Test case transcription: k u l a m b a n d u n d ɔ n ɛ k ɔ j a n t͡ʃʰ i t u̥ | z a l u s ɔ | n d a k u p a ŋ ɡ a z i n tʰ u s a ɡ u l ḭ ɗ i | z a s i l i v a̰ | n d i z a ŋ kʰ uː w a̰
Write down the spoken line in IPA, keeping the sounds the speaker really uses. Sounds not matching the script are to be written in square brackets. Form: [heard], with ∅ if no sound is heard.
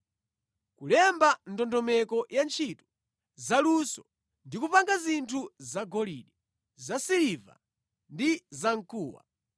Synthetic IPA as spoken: k u l [ɛ] m b a n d [ɔ] n d ɔ [m] ɛ k ɔ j a n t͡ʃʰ i t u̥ | z a l u s ɔ | n d [i] k u p a ŋ ɡ a z i n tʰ u [z] a ɡ [ɔ] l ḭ ɗ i | z a s i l i v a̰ | n d i z a ŋ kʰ uː w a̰